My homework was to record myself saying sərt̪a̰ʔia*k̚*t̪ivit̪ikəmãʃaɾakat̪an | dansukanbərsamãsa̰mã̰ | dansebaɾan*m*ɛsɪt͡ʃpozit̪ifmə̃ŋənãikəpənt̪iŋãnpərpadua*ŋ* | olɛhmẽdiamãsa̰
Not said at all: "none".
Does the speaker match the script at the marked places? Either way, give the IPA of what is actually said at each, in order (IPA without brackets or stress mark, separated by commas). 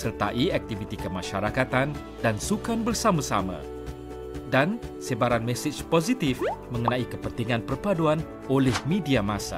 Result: k̚, m, n